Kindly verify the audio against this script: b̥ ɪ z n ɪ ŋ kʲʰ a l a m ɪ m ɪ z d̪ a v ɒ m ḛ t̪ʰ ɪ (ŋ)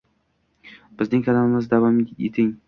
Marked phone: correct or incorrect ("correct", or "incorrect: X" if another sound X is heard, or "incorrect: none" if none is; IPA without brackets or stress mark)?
correct